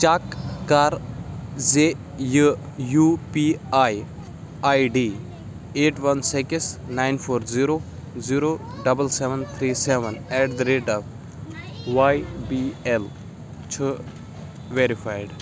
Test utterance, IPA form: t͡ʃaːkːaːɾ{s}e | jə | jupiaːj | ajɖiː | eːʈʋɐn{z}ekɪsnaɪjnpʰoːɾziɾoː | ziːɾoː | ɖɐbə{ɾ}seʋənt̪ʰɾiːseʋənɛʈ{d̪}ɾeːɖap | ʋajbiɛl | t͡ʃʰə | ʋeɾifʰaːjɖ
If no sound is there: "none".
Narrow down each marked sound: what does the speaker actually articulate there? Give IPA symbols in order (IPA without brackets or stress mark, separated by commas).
z, s, l, d̪